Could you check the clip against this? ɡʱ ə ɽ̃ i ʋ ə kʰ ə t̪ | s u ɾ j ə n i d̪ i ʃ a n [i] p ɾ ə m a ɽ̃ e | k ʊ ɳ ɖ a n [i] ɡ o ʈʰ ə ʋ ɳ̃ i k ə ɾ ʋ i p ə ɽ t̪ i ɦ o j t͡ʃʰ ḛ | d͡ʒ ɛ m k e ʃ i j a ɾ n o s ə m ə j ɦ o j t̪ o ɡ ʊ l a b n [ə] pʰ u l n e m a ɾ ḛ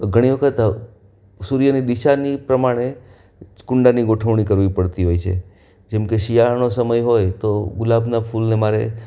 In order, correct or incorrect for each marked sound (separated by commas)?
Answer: correct, correct, incorrect